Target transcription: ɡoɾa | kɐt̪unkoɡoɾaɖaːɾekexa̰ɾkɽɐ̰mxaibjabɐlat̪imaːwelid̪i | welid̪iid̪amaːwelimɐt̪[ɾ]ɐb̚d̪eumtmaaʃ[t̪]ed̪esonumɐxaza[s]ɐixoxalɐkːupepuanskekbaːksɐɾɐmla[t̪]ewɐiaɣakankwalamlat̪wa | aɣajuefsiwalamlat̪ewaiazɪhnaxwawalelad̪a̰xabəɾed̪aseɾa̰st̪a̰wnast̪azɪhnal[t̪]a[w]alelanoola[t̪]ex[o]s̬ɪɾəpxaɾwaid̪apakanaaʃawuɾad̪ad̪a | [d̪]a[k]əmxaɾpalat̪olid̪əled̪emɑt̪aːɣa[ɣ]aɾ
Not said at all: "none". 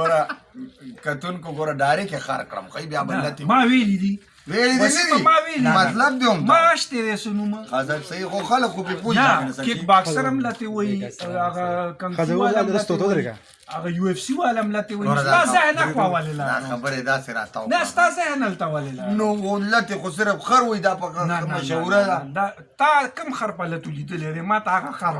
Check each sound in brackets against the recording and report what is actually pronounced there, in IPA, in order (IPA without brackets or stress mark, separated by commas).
l, t̪, s, t̪, t̪, w, t̪, o, t̪, k, x